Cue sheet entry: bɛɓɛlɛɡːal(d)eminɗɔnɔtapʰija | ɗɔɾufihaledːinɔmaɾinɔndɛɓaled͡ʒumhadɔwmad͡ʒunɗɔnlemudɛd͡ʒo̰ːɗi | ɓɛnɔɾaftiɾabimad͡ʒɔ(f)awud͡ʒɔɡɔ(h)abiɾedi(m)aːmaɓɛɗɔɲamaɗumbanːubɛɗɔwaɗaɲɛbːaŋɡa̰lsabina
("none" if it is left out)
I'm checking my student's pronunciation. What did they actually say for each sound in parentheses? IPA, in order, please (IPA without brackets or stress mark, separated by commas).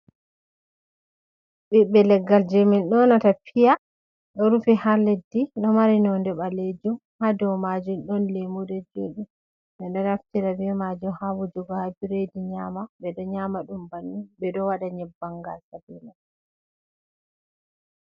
d͡ʒ, h, h, ɲ